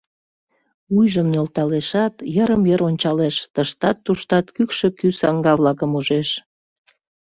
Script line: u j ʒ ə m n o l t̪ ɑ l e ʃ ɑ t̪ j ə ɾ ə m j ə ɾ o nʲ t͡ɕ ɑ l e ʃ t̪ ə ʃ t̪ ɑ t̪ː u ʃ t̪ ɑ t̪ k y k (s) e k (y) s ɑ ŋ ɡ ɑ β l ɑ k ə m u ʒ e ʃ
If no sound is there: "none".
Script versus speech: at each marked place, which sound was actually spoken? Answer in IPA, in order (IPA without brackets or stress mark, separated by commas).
ʃ, y